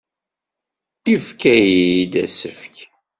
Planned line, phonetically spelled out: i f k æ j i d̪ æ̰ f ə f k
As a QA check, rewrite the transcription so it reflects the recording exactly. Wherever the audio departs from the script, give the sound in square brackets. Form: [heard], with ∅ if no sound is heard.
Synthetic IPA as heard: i f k æ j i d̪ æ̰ [s] ə f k